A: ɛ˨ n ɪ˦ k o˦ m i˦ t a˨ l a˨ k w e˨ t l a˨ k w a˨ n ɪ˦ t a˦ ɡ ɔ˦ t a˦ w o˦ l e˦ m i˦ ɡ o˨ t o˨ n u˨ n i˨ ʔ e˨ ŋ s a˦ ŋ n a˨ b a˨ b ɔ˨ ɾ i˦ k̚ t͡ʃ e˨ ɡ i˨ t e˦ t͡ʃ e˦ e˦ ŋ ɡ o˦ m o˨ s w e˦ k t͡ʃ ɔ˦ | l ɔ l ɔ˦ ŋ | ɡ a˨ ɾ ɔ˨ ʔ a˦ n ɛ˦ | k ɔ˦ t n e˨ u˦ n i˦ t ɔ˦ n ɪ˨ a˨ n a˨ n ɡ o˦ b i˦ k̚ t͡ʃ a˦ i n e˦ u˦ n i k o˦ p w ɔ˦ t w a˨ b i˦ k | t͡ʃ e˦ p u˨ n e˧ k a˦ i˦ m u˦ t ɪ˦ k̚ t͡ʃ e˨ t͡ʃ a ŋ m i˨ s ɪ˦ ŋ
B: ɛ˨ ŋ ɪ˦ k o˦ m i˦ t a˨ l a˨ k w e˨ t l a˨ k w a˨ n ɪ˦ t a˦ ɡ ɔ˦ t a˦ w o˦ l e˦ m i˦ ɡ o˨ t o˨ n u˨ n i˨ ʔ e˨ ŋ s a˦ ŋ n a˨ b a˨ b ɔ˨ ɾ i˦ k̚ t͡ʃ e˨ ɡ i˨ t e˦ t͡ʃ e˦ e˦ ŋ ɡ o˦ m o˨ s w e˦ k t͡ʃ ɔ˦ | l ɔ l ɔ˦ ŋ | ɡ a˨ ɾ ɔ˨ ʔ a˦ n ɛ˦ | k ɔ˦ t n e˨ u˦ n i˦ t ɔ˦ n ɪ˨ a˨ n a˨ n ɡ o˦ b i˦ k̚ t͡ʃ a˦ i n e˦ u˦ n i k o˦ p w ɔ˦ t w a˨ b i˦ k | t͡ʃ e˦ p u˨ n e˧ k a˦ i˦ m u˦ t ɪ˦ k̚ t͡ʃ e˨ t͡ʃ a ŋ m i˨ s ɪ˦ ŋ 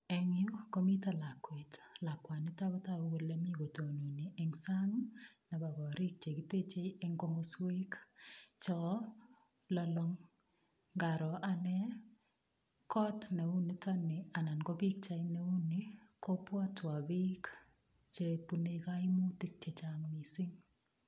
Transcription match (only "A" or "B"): B